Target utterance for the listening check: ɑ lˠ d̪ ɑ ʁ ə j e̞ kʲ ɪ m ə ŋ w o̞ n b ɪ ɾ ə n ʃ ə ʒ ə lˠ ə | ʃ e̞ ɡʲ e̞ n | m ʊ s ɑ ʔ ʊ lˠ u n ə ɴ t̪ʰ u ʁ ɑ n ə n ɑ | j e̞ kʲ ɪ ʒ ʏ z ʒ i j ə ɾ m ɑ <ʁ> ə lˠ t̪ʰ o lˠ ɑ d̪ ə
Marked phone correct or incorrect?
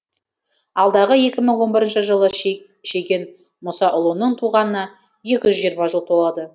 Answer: incorrect